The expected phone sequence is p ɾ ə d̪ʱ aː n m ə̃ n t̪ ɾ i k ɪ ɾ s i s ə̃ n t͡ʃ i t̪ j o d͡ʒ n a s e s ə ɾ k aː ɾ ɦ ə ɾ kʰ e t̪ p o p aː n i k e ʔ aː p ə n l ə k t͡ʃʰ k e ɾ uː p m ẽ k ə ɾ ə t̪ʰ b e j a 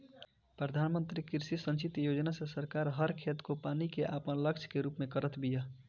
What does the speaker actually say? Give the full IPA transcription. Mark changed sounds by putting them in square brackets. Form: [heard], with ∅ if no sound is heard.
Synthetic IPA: p ɾ ə d̪ʱ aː n m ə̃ n t̪ ɾ i k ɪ ɾ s i s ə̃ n t͡ʃ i t̪ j o d͡ʒ n a s e s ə ɾ k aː ɾ ɦ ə ɾ kʰ e t̪ [k] o p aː n i k e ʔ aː p ə n l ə k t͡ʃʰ k e ɾ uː p m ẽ k ə ɾ ə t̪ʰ b [i] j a